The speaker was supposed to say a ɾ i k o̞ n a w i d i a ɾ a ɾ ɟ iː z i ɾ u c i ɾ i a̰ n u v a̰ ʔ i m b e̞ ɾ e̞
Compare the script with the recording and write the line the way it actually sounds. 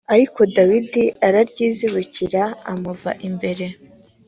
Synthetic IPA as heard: a ɾ i k o̞ d a w i d i a ɾ a ɾ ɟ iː z i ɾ u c i ɾ a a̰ m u v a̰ ʔ i m b e̞ ɾ e̞

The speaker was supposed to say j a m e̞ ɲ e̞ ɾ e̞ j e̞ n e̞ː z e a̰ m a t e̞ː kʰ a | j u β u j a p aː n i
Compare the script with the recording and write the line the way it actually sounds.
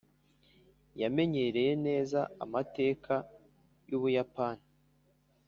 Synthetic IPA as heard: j a m e̞ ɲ e̞ ɾ e̞ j e̞ n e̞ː z a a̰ m a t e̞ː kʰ a | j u β u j a p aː n i

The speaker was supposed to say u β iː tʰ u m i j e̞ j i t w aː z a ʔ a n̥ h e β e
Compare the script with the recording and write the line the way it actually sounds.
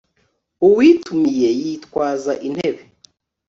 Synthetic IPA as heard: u w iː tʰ u m i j e̞ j i t w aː z a ʔ i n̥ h e β e

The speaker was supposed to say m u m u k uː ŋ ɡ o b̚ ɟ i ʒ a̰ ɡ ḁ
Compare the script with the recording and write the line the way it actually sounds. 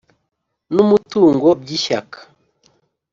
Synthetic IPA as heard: n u m u t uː ŋ ɡ o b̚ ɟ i ʃ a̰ k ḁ

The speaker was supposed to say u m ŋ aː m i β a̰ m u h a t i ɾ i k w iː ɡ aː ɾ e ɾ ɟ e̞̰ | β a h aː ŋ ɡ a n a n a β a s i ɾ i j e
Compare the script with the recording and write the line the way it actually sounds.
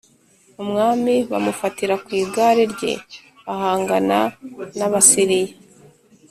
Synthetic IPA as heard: u m ŋ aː m i β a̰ m u f a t i ɾ a k w iː ɡ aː ɾ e ɾ ɟ e̞̰ | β a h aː ŋ ɡ a n a n a β a s i ɾ i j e

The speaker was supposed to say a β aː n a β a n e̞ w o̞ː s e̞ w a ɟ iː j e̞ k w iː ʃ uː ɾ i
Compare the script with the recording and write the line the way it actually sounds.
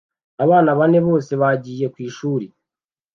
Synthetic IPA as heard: a β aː n a β a n e̞ β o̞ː s e̞ β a ɟ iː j e̞ k w iː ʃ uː ɾ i

